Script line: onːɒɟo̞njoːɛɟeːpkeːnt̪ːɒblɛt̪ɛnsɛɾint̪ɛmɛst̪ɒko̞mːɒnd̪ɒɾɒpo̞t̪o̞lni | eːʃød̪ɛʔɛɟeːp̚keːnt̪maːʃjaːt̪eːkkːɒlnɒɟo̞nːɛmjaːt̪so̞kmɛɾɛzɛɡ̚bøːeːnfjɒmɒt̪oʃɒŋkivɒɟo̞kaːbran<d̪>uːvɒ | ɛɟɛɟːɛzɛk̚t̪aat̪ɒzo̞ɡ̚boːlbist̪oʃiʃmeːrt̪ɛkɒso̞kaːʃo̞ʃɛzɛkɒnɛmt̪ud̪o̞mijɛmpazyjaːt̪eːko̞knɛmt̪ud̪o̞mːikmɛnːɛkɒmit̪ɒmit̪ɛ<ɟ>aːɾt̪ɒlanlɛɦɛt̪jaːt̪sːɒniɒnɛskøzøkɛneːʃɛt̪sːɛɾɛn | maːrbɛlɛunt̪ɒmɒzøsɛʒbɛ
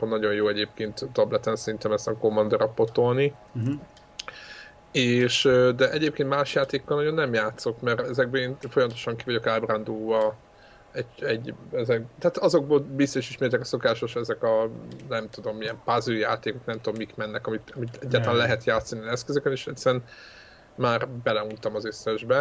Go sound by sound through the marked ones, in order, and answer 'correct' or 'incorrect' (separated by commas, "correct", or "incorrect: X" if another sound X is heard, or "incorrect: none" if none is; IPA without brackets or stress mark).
correct, incorrect: ɟː